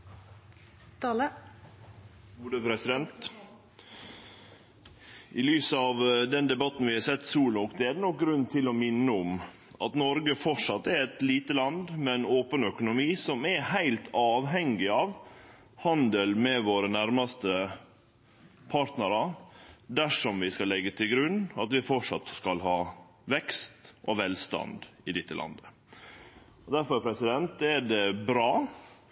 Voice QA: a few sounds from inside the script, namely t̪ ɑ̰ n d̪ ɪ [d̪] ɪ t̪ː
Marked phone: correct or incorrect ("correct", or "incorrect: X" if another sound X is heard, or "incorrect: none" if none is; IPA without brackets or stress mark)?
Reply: correct